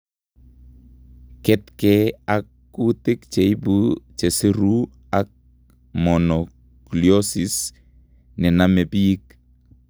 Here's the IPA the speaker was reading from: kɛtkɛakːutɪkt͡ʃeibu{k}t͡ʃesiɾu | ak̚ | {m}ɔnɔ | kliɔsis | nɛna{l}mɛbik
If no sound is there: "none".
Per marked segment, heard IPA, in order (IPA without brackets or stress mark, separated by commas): none, m, none